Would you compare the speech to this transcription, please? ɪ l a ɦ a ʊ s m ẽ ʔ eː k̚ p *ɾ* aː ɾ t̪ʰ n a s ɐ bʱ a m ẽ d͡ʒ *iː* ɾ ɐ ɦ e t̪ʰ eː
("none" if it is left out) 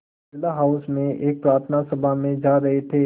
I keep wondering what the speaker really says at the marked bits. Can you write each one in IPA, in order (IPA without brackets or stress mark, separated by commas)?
ɾ, aː